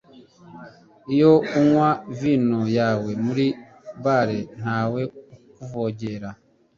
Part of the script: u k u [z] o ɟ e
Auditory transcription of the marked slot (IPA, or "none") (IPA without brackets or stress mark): v